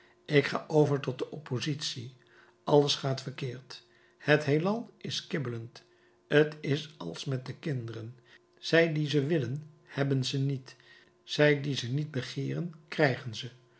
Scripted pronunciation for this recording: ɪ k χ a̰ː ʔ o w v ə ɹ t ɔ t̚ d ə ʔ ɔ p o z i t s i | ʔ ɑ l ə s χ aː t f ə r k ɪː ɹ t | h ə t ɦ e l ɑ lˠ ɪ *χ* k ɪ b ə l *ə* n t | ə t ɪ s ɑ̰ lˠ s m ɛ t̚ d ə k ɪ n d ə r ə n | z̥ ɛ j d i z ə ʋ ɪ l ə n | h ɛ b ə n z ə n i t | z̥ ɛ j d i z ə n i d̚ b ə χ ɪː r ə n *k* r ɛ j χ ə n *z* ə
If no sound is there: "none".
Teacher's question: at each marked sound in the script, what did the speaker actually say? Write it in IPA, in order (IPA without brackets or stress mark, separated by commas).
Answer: s, ə, k, z